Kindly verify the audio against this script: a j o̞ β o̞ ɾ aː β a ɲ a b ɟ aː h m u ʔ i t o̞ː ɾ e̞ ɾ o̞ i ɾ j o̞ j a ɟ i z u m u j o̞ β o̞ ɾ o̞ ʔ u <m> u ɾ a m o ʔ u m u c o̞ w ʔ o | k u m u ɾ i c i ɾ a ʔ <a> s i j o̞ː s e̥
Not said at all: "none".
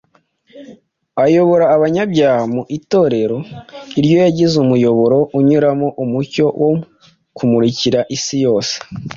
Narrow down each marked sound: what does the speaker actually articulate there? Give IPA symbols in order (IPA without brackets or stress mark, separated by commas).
ɲ, i